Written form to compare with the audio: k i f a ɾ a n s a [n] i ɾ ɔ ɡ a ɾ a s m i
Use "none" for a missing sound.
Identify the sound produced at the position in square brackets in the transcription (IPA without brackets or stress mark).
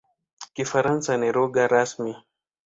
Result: n